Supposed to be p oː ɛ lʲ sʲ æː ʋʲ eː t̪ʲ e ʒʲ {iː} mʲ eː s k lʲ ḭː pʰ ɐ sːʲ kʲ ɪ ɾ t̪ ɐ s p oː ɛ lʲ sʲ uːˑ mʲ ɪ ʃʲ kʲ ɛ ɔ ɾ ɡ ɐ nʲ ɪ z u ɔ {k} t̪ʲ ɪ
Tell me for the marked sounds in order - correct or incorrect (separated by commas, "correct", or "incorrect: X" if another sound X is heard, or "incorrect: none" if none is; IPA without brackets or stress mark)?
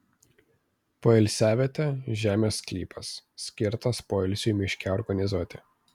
incorrect: æː, incorrect: none